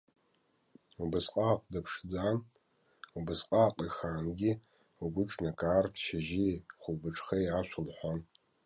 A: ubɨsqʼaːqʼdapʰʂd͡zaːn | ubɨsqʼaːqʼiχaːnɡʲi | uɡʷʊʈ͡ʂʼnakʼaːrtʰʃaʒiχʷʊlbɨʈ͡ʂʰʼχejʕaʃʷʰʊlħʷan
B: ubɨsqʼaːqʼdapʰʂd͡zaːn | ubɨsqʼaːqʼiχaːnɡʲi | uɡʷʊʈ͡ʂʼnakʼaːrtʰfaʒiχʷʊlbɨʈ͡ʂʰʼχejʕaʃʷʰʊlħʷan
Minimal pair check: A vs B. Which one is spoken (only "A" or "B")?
A